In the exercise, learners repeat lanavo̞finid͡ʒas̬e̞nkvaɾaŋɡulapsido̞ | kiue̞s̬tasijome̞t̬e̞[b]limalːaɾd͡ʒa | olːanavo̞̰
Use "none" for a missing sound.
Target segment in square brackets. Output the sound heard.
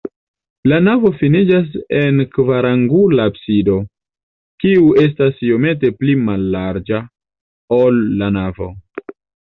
p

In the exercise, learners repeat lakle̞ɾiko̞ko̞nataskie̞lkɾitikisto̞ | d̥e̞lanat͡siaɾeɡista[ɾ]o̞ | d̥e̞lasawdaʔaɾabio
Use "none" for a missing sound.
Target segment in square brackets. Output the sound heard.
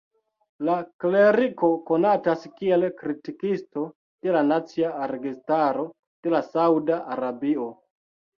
ɾ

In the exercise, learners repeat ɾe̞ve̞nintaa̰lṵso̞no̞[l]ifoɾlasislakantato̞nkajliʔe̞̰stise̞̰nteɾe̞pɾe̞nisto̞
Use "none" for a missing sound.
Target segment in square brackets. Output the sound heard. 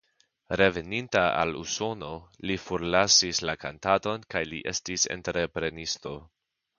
l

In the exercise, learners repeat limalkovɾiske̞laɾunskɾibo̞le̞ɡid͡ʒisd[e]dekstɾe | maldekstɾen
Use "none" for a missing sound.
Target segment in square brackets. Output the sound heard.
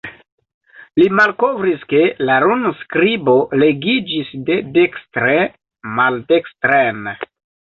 e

